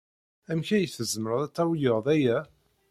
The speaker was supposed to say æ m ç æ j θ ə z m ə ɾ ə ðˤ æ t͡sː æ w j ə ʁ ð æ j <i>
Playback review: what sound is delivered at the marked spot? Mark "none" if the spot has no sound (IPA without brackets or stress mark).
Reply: æ